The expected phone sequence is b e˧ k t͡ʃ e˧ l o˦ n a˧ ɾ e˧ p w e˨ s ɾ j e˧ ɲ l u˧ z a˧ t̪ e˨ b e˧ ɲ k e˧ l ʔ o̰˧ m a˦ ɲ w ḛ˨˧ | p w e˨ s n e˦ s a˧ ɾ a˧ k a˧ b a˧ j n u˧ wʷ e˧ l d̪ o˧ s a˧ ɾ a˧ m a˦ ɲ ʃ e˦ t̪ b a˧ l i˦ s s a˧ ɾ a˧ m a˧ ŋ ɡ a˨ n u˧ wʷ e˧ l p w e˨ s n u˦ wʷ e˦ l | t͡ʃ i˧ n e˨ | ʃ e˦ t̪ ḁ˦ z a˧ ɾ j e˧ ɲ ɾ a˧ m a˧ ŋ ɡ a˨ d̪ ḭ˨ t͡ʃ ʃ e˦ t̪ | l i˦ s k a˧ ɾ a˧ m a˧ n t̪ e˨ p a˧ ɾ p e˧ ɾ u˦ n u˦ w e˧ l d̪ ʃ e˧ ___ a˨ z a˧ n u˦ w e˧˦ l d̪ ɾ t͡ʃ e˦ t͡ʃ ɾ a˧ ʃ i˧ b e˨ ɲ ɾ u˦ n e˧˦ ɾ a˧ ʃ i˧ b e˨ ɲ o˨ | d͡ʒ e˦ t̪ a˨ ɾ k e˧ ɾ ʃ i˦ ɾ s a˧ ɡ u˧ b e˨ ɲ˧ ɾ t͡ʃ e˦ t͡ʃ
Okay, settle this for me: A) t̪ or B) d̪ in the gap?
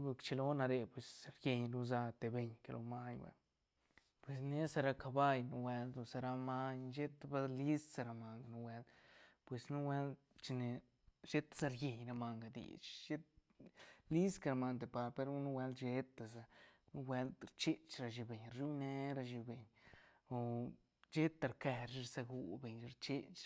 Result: A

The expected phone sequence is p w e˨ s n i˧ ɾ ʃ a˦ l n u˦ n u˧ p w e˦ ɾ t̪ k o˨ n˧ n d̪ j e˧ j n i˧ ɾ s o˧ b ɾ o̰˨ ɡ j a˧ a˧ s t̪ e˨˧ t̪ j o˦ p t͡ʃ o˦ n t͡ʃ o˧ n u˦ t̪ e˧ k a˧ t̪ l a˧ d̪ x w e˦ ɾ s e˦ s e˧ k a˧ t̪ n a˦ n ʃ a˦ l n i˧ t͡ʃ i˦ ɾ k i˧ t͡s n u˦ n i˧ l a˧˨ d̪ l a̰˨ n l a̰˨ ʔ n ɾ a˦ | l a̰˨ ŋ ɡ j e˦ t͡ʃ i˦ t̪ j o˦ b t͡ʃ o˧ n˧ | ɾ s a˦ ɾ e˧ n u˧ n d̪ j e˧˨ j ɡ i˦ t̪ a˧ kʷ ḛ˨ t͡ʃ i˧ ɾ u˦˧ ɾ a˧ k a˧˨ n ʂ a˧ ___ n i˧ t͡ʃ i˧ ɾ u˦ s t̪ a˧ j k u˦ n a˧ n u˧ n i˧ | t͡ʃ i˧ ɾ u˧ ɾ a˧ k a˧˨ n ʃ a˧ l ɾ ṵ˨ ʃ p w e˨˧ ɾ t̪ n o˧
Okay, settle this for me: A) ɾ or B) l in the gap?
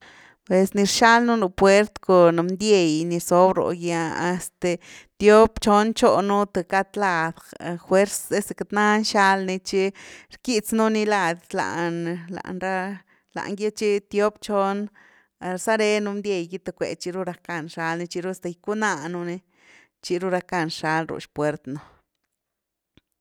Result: B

